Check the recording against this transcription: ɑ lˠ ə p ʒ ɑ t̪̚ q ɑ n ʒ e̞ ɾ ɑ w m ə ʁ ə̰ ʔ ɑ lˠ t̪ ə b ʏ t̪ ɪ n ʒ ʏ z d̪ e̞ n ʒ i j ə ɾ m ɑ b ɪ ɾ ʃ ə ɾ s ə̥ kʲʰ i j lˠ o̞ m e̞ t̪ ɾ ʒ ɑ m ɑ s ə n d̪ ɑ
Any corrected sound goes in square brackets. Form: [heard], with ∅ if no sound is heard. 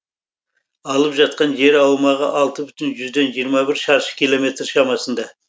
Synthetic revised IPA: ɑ lˠ ə p ʒ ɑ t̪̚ q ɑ n ʒ e̞ ɾ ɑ w m [ɑ] ʁ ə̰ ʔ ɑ lˠ t̪ ə b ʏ t̪ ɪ n ʒ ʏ z d̪ e̞ n ʒ i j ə ɾ m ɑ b ɪ ɾ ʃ [ɑ] ɾ [ʃ] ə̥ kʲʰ i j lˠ o̞ m e̞ t̪ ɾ [ʃ] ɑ m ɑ s ə n d̪ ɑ